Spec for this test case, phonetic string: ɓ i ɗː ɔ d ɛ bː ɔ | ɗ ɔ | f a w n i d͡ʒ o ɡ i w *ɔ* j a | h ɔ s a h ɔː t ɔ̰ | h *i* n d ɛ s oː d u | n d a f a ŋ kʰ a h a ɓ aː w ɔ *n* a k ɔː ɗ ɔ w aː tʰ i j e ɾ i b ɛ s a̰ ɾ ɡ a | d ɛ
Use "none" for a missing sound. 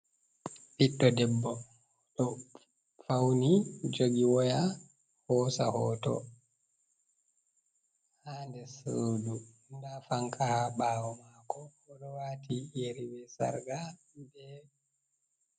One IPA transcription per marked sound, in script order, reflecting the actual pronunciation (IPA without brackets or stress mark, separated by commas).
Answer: ɔ, a, m